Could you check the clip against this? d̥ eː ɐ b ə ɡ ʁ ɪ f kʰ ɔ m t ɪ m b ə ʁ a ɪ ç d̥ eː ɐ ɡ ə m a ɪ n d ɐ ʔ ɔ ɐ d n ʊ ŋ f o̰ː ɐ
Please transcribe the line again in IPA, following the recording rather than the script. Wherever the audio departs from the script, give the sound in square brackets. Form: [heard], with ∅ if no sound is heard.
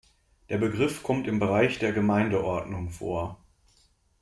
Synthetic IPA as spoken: d̥ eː ɐ b ə ɡ ʁ ɪ f kʰ ɔ m t ɪ m b ə ʁ a ɪ ç d̥ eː ɐ ɡ ə m a ɪ n d [ə] ʔ ɔ ɐ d n ʊ ŋ f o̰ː ɐ